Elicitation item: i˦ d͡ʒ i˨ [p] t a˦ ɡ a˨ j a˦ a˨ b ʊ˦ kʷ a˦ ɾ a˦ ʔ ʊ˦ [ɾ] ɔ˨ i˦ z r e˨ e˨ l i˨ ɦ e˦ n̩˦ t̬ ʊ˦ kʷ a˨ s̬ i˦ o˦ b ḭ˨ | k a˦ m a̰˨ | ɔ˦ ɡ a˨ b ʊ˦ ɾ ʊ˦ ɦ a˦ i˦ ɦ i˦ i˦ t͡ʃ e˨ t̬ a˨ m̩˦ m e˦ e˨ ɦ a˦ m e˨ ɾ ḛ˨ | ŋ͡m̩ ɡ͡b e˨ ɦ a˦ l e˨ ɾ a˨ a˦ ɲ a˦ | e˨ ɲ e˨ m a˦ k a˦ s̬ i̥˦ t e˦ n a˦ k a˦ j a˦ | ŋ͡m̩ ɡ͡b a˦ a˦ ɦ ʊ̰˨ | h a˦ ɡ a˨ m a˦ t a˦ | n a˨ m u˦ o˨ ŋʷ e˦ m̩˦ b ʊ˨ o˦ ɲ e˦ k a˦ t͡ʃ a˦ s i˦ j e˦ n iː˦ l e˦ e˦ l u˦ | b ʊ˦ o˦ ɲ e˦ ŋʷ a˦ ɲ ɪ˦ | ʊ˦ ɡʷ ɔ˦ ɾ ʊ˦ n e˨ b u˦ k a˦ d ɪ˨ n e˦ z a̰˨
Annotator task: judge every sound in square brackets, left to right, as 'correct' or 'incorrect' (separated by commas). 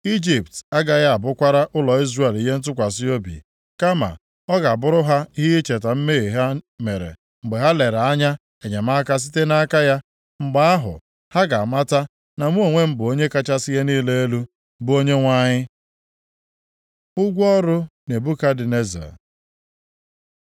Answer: correct, incorrect